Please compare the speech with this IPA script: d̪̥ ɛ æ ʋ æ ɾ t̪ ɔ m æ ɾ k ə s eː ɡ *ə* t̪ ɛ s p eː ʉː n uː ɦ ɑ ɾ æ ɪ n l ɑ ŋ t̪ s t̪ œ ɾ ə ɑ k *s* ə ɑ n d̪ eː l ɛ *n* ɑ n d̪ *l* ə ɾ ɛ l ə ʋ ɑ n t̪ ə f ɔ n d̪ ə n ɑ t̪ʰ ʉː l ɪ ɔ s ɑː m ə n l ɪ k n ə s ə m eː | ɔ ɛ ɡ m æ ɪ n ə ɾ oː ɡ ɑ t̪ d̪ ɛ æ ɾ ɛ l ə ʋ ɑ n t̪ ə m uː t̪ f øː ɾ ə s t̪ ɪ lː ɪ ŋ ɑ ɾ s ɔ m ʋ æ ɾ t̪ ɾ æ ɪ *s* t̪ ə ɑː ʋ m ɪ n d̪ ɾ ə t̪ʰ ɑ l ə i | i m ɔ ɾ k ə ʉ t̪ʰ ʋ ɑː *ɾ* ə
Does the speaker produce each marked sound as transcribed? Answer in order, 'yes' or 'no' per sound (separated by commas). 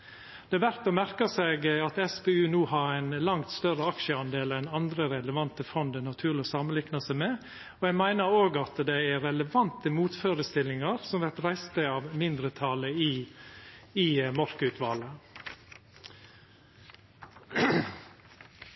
no, no, yes, no, yes, no